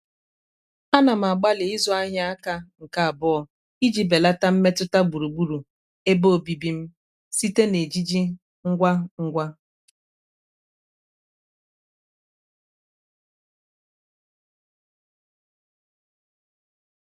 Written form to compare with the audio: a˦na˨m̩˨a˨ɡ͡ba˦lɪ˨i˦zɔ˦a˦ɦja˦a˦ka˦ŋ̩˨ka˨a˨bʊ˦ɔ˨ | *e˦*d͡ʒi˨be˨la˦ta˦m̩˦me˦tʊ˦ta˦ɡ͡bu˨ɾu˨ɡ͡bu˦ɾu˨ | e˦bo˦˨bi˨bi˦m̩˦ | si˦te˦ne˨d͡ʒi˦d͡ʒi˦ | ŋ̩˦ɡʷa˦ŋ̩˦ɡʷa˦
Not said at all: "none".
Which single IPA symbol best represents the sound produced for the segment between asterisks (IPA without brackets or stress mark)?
i˦